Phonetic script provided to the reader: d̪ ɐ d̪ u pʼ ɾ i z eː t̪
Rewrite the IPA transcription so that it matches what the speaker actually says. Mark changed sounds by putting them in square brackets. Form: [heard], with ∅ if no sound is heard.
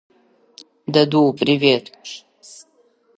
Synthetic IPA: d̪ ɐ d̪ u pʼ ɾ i [v] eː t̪